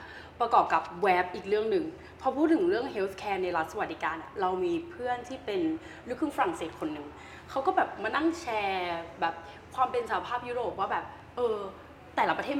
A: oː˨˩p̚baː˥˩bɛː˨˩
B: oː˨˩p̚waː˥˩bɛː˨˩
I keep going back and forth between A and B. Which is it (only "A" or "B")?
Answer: B